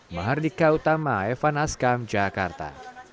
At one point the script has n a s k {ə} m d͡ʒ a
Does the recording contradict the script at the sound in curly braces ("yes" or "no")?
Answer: yes